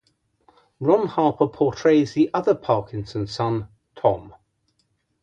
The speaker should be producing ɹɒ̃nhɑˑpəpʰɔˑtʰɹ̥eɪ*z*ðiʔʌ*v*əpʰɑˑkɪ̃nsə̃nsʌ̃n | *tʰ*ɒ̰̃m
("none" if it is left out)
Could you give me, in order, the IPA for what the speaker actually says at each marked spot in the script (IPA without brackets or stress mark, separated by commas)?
z, ð, tʰ